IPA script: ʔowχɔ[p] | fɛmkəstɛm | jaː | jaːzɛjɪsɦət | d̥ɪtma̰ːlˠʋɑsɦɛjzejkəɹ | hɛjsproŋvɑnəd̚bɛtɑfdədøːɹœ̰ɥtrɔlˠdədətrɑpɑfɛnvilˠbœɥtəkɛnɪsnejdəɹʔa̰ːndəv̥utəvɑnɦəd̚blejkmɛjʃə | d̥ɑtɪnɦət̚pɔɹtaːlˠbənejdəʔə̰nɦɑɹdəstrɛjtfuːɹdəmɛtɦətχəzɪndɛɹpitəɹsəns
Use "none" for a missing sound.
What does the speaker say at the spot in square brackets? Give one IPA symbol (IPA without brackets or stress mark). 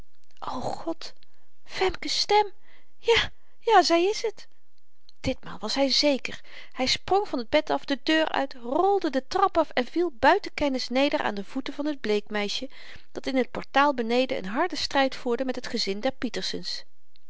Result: t